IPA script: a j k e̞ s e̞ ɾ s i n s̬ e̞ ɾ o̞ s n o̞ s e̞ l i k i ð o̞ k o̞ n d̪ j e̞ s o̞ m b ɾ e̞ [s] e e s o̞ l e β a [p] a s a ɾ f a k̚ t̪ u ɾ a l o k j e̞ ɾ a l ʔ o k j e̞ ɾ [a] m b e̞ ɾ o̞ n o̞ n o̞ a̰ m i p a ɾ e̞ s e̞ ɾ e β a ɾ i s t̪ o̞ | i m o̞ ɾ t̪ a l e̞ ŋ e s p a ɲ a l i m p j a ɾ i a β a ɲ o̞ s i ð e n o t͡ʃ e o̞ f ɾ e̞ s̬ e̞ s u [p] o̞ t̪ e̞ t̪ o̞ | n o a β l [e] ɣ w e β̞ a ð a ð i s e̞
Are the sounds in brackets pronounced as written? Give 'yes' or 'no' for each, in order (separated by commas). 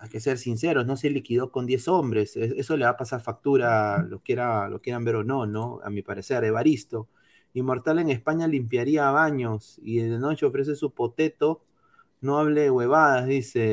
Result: yes, yes, yes, yes, yes